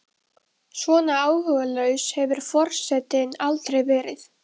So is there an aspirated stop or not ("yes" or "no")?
no